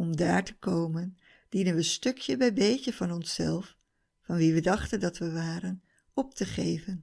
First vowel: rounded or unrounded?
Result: rounded